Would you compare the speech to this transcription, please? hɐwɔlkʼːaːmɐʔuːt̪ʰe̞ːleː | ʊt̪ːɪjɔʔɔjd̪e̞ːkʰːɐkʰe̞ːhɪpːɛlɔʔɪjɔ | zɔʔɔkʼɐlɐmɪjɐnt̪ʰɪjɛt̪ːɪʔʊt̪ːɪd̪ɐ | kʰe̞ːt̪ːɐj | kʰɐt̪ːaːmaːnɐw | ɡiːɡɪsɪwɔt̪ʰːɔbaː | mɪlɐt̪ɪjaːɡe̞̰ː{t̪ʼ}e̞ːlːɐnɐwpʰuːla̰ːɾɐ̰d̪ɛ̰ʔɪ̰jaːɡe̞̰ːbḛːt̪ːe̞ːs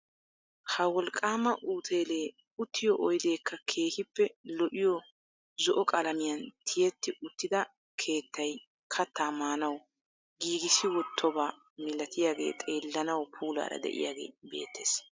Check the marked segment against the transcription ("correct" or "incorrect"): correct